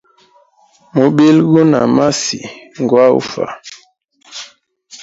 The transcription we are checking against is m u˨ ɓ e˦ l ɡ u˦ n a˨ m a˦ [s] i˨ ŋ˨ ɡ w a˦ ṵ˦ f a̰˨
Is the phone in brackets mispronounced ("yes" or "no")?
no